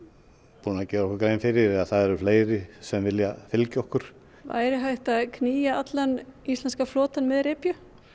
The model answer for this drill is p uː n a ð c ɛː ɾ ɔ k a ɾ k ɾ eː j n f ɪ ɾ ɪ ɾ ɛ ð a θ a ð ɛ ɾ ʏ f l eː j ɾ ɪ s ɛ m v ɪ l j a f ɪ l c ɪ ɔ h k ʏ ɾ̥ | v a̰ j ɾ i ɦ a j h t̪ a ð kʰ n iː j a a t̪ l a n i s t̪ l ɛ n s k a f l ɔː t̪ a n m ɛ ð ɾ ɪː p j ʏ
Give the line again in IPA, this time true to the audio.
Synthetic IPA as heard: p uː n a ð c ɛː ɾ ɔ k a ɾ k ɾ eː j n f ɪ ɾ ɪ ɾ ɛ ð a θ a ð ɛ ɾ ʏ f l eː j ɾ ɪ s ɛ m v ɪ l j a f ɪ l c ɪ ɔ h k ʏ ɾ̥ | v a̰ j ɾ ɪ ɦ a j h t̪ a ð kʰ n iː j a a t̪ l a n i s t̪ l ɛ n s k a f l ɔː t̪ a n m ɛ ð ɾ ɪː p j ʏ